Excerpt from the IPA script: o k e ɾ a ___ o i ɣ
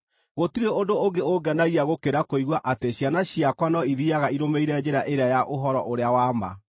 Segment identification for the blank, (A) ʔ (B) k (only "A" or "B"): B